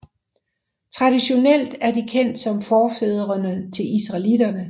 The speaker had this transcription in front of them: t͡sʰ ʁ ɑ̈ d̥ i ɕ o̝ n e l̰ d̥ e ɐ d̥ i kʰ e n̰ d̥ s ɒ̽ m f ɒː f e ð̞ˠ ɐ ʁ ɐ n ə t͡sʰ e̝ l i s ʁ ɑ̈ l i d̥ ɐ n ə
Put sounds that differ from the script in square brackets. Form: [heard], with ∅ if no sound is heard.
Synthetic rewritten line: t͡sʰ ʁ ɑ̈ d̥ i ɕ o̝ n e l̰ d̥ [æ] ɐ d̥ i kʰ e n̰ d̥ s ɒ̽ m f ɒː f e ð̞ˠ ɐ ʁ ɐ n ə t͡sʰ e̝ l i s ʁ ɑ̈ l i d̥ ɐ n ə